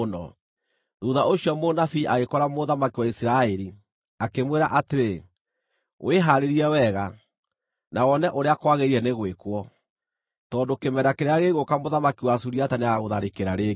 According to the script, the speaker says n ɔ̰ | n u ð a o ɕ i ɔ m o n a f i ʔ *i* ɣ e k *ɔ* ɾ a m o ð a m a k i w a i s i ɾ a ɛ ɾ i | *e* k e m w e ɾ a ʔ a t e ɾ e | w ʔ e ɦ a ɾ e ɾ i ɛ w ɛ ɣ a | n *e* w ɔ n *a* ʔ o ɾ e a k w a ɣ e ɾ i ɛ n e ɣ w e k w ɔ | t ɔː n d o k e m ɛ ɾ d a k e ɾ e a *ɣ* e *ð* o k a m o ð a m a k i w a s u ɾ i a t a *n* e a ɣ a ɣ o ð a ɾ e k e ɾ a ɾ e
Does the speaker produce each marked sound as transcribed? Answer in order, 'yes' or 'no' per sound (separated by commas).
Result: no, yes, no, no, no, yes, no, yes